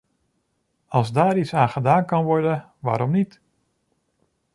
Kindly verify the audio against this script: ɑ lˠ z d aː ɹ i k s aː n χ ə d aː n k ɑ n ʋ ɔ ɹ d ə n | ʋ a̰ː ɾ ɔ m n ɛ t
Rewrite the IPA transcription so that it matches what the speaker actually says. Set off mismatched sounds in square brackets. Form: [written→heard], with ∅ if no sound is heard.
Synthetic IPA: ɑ lˠ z d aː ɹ i [k→t] s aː n χ ə d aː n k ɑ n ʋ ɔ ɹ d ə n | ʋ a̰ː ɾ ɔ m n [ɛ→i] t